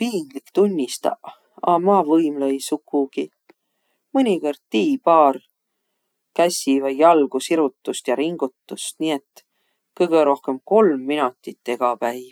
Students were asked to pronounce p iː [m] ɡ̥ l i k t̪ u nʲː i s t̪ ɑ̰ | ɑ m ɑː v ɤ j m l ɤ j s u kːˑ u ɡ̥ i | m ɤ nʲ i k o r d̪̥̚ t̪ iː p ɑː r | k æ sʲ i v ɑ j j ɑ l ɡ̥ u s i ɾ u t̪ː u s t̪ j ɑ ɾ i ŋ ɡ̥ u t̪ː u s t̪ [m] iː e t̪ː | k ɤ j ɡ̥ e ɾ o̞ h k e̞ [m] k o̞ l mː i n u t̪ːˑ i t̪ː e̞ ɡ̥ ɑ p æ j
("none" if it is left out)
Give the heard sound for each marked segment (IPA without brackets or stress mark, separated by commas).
ŋ, n, m